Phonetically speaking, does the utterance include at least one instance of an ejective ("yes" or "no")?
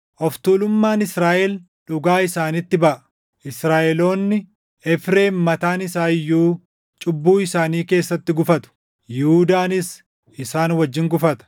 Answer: yes